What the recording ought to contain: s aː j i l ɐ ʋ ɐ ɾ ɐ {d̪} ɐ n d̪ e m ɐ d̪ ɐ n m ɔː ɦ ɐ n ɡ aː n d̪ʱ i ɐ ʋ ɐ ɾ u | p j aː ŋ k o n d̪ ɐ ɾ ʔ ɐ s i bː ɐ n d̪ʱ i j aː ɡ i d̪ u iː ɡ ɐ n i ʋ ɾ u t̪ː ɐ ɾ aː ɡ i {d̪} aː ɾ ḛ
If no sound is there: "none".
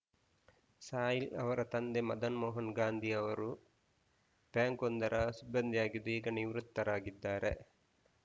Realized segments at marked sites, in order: t̪, d̪ː

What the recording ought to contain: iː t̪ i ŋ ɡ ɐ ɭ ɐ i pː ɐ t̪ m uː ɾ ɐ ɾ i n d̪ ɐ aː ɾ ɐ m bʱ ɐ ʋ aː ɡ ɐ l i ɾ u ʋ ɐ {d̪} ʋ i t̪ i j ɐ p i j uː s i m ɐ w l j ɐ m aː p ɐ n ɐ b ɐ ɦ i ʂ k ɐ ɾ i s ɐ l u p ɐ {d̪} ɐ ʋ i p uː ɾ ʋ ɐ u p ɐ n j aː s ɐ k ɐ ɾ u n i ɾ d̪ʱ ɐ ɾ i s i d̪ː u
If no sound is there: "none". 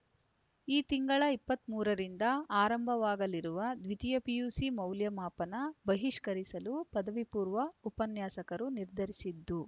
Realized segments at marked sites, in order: d̪, d̪

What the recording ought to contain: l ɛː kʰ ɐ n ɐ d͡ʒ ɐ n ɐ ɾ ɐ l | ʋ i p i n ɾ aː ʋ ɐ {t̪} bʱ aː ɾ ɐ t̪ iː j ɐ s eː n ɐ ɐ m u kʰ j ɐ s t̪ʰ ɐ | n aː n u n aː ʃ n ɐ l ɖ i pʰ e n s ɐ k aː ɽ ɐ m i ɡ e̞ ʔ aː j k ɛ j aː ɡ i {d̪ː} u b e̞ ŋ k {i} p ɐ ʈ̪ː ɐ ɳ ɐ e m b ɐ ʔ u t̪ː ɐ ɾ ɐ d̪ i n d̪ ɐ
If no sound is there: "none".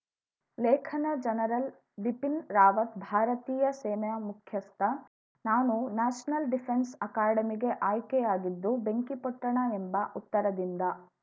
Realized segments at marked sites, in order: t̪, d̪ː, i

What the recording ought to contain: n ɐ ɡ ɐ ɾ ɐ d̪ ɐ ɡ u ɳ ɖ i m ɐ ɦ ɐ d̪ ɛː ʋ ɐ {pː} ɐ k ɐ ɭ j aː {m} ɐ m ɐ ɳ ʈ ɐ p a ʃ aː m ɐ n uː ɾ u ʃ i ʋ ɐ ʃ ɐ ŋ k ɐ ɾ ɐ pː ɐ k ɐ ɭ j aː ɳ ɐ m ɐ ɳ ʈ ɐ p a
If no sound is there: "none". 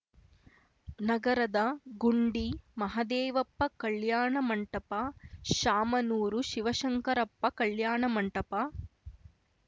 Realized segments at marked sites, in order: pː, ɳ

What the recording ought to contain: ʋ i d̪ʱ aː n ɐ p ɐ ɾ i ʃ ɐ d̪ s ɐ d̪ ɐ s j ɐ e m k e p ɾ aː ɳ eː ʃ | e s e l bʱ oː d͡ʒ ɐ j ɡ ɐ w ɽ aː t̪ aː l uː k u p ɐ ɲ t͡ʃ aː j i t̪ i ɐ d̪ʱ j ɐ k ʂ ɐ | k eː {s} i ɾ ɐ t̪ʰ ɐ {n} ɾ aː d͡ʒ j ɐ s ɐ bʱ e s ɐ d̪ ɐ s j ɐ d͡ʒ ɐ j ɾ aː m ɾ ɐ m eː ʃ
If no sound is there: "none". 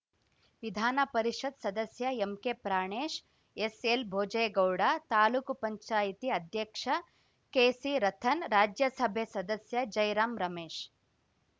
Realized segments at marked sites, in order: s, n

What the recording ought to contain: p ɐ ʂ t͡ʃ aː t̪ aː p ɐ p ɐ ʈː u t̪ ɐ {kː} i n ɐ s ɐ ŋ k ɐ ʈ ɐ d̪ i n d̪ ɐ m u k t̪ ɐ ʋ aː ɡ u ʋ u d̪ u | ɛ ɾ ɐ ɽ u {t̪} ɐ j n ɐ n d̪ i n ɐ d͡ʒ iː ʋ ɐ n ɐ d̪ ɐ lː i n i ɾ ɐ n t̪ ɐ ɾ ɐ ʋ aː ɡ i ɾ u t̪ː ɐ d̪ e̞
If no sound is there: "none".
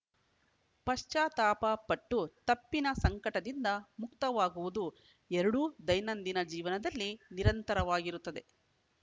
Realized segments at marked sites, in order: pː, d̪

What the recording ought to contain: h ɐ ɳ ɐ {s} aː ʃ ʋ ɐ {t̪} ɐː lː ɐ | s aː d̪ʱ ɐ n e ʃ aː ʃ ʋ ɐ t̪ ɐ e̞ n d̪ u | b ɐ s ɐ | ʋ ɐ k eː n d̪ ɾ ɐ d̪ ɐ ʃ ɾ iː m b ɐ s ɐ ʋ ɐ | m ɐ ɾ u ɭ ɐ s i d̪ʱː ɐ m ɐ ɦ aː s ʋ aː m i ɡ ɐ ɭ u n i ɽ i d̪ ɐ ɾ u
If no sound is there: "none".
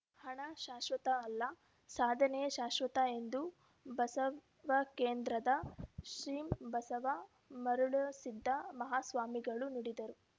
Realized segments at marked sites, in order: ʃ, t̪

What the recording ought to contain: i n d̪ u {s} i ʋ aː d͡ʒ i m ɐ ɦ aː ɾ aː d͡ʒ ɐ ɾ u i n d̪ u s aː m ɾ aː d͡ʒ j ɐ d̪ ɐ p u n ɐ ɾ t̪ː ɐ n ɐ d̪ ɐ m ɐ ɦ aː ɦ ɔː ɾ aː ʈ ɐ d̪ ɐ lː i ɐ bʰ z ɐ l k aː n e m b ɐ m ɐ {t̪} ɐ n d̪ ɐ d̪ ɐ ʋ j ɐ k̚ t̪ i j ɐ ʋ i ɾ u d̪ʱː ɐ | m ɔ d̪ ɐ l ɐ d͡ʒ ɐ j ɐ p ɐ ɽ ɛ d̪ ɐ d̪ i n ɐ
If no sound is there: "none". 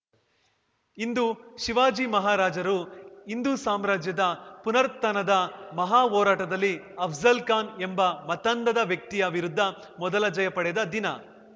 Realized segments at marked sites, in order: ʃ, t̪

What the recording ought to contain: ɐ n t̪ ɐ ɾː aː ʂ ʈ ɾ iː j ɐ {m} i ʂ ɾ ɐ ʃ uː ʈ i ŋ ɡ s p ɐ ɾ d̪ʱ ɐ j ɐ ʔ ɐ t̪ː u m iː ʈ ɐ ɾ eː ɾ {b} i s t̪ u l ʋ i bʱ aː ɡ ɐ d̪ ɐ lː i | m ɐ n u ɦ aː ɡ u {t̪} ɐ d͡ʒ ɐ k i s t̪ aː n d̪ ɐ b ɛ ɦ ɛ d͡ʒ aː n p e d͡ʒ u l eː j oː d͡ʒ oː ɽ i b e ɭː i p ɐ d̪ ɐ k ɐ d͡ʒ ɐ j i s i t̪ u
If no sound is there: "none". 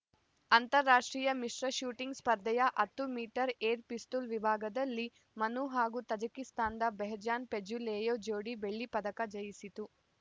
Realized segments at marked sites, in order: m, p, t̪

